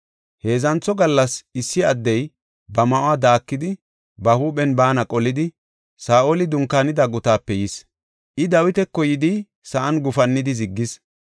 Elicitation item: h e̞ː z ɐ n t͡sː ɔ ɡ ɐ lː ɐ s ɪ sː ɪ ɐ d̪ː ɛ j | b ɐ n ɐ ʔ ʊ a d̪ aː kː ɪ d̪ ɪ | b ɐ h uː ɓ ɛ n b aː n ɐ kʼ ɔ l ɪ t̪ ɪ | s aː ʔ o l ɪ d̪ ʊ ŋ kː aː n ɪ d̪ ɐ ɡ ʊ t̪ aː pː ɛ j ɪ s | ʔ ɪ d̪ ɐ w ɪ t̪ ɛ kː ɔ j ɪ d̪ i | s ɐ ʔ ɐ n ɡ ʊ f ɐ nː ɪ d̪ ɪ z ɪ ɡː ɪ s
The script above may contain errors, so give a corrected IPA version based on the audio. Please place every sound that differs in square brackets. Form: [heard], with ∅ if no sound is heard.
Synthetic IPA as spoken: h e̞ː z ɐ n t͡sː ɔ ɡ ɐ lː ɐ s ɪ sː ɪ ɐ d̪ː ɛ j | b ɐ [m] ɐ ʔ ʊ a d̪ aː kː ɪ d̪ ɪ | b ɐ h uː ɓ ɛ n b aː n ɐ kʼ ɔ l ɪ [d̪] ɪ | s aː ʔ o l ɪ d̪ ʊ ŋ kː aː n ɪ d̪ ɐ ɡ ʊ t̪ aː pː ɛ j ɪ s | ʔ ɪ d̪ ɐ w ɪ t̪ ɛ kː ɔ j ɪ d̪ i | s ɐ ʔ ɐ n ɡ ʊ f ɐ nː ɪ d̪ ɪ z ɪ ɡː ɪ s

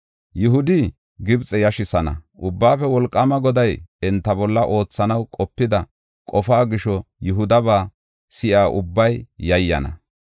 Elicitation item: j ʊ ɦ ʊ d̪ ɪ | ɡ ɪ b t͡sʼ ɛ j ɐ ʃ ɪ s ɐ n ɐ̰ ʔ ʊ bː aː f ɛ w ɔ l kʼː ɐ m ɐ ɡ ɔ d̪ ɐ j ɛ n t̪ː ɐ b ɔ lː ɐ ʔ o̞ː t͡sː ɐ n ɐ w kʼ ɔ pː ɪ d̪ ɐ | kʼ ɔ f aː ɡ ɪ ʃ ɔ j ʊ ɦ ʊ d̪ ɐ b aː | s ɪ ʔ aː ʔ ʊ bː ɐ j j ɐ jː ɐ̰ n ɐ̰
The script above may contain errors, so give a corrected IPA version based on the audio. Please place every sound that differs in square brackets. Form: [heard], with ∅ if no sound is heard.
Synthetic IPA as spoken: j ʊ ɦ ʊ d̪ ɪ | ɡ ɪ b t͡sʼ ɛ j ɐ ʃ ɪ s ɐ n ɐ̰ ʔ ʊ bː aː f ɛ w ɔ l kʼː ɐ m ɐ ɡ ɔ d̪ ɐ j ɛ n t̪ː ɐ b ɔ lː ɐ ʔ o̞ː t͡sː ɐ n ɐ w kʼ ɔ pː ɪ d̪ ɐ | kʼ ɔ f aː ɡ ɪ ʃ ɔ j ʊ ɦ ʊ d̪ ɐ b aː | s ɪ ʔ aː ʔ ʊ bː ɐ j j ɐ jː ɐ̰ n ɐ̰

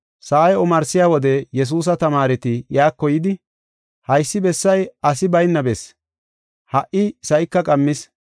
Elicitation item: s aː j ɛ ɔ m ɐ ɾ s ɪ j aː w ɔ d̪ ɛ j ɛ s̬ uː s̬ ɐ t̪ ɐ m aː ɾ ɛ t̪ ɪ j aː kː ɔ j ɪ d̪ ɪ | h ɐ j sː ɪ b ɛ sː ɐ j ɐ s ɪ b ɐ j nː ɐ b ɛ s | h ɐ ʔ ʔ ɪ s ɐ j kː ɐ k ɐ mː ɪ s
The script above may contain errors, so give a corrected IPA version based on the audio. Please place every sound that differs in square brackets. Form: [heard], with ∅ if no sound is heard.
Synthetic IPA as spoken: s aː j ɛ ɔ m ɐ ɾ s ɪ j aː w ɔ d̪ ɛ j ɛ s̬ uː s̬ ɐ t̪ ɐ m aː ɾ ɛ t̪ ɪ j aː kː ɔ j ɪ d̪ ɪ | h ɐ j sː ɪ b ɛ sː ɐ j ɐ s ɪ b ɐ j nː ɐ b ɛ s | h ɐ ʔ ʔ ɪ s ɐ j kː ɐ [kʼ] ɐ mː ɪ s

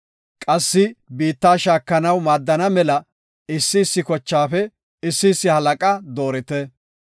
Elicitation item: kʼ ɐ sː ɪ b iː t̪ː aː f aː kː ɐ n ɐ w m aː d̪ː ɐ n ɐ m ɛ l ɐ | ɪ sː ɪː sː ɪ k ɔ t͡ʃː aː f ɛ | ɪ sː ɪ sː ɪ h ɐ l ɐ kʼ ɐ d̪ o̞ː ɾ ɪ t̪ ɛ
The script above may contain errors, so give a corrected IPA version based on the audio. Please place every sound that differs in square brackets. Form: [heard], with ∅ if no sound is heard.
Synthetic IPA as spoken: kʼ ɐ sː ɪ b iː t̪ː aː [ʃ] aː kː ɐ n ɐ w m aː d̪ː ɐ n ɐ m ɛ l ɐ | ɪ sː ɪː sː ɪ k ɔ t͡ʃː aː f ɛ | ɪ sː ɪ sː ɪ h ɐ l ɐ kʼ ɐ d̪ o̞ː ɾ ɪ t̪ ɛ

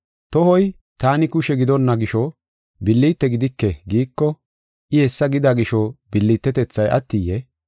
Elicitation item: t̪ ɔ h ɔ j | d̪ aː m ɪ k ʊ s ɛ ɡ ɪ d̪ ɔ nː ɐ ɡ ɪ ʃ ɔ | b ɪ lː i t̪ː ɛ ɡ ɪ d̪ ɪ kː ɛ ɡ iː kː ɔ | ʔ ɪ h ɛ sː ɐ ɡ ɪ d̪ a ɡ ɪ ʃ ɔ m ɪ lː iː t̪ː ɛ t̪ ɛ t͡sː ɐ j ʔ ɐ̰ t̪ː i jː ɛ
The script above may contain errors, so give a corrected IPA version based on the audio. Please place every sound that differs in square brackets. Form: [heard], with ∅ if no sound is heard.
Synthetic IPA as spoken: t̪ ɔ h ɔ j | [t̪] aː [n] ɪ k ʊ [ʃ] ɛ ɡ ɪ d̪ ɔ nː ɐ ɡ ɪ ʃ ɔ | b ɪ lː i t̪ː ɛ ɡ ɪ d̪ ɪ kː ɛ ɡ iː kː ɔ | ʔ ɪ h ɛ sː ɐ ɡ ɪ d̪ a ɡ ɪ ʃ ɔ [b] ɪ lː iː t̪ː ɛ t̪ ɛ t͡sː ɐ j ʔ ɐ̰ t̪ː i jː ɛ

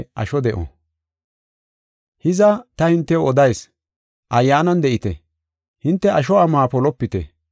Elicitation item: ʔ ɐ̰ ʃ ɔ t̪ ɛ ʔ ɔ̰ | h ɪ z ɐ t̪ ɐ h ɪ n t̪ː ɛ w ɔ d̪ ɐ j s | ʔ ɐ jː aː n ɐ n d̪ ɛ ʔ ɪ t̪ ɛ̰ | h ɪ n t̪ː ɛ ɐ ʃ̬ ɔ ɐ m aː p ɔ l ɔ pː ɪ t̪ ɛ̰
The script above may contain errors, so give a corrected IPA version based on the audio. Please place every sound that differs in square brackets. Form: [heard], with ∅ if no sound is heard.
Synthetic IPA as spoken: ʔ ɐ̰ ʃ ɔ [d̪] ɛ ʔ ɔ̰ | h ɪ z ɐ t̪ ɐ h ɪ n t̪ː ɛ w ɔ d̪ ɐ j s | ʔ ɐ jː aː n ɐ n d̪ ɛ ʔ ɪ t̪ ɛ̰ | h ɪ n t̪ː ɛ ɐ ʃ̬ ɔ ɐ m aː p ɔ l ɔ pː ɪ t̪ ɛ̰

